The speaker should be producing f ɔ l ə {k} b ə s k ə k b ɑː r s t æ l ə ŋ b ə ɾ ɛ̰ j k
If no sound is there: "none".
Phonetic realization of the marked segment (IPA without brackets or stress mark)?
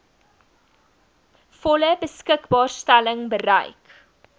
none